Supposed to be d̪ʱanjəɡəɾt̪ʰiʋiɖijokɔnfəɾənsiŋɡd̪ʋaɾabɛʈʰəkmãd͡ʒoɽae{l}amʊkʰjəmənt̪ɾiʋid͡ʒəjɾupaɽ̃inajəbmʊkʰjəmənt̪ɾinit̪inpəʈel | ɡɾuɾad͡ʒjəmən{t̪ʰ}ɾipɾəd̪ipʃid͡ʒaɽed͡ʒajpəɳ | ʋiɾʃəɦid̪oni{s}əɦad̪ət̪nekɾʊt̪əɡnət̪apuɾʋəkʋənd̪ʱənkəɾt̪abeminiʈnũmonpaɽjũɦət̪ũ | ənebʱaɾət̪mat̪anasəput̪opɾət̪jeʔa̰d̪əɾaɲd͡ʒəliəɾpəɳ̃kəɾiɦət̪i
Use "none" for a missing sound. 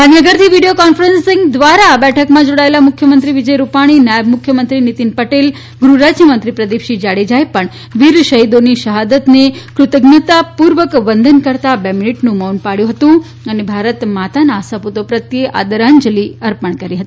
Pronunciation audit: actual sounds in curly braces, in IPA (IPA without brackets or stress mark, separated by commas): l, t̪, ʃ